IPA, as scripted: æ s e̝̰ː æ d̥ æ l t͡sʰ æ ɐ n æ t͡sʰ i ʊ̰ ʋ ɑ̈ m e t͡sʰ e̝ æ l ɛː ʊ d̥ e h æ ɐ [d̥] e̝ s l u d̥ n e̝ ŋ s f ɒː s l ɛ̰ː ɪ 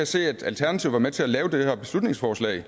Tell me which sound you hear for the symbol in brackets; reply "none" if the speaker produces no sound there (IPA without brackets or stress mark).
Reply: b̥